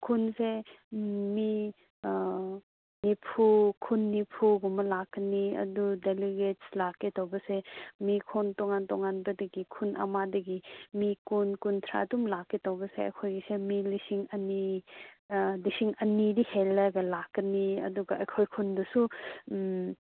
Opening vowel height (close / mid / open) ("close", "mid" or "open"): close